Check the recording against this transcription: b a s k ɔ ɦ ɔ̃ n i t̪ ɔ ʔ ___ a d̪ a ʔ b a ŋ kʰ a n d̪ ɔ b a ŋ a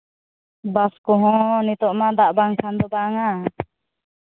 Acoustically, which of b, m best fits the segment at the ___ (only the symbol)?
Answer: m